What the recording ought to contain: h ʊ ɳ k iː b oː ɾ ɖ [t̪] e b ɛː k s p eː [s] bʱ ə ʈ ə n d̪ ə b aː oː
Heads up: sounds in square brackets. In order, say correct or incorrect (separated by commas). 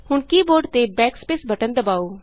correct, correct